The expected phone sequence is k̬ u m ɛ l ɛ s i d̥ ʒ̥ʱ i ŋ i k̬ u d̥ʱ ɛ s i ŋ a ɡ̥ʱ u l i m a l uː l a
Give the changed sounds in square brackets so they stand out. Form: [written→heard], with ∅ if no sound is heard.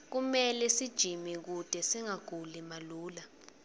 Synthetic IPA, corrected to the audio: k̬ u m ɛ l ɛ s i d̥ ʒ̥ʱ i [ŋ→m] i k̬ u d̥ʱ ɛ s i ŋ a ɡ̥ʱ u l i m a l uː l a